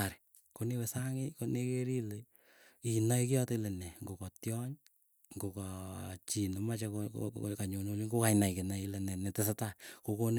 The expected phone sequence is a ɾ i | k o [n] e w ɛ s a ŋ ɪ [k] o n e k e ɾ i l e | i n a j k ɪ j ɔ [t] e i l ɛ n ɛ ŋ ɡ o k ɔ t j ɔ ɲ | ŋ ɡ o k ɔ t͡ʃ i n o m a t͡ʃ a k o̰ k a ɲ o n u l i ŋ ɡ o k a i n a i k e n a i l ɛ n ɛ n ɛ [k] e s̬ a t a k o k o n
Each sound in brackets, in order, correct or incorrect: correct, correct, correct, incorrect: t

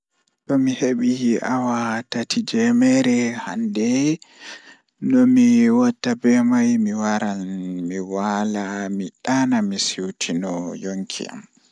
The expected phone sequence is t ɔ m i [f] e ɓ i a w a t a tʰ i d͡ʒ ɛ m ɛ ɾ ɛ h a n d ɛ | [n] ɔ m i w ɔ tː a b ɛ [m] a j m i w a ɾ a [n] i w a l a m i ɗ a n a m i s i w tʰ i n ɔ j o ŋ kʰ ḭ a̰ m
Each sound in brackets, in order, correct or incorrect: incorrect: h, correct, correct, incorrect: m

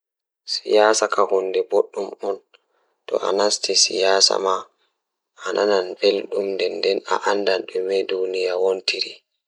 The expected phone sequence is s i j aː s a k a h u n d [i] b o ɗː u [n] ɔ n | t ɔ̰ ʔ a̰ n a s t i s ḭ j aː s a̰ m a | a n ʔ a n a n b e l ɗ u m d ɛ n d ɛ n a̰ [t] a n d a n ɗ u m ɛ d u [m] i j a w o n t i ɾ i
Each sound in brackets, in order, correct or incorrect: incorrect: ɛ, incorrect: m, incorrect: ʔ, incorrect: n

